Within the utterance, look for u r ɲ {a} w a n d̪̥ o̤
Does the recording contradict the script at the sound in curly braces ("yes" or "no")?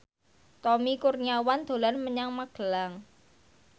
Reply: no